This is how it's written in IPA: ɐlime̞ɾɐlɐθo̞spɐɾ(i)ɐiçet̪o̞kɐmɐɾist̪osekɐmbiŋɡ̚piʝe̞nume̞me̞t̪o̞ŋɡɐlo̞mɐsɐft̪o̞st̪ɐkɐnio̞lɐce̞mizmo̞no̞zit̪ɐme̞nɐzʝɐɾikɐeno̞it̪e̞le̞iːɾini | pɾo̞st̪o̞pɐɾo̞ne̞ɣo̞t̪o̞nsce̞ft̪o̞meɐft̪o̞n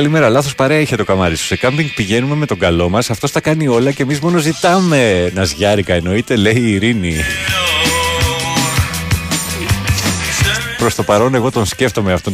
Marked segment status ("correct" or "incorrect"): incorrect